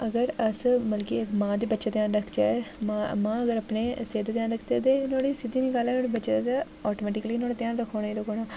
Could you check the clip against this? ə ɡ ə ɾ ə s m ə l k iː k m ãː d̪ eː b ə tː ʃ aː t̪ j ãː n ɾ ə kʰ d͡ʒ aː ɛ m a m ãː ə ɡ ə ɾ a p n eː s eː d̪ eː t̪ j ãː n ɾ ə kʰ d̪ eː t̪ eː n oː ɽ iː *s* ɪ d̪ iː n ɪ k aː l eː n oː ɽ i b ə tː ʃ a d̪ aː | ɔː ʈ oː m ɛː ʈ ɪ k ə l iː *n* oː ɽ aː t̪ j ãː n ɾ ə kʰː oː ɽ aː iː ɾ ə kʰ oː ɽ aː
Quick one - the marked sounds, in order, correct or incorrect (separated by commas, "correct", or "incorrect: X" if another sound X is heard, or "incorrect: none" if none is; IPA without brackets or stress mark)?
correct, correct